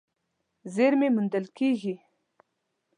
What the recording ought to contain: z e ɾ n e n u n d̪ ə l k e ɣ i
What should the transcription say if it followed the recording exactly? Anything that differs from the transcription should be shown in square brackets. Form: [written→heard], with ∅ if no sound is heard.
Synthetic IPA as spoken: z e ɾ [n→m] e [n→m] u n d̪ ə l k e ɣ i